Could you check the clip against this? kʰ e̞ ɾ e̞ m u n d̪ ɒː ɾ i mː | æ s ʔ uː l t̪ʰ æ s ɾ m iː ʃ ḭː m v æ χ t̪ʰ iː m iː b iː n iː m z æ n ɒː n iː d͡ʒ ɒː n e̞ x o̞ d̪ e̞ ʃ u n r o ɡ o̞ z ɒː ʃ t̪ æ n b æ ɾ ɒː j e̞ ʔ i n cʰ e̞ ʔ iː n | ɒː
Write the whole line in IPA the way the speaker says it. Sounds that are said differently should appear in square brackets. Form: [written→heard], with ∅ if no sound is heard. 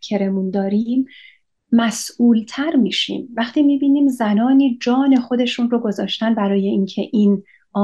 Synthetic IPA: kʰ e̞ ɾ e̞ m u n d̪ ɒː ɾ i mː | æ s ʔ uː l t̪ʰ æ [s→∅] ɾ m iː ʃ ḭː m v æ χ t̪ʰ iː m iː b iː n iː m z æ n ɒː n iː d͡ʒ ɒː n e̞ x o̞ d̪ e̞ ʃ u n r o ɡ o̞ z ɒː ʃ t̪ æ n b æ ɾ ɒː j e̞ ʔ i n cʰ e̞ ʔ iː n | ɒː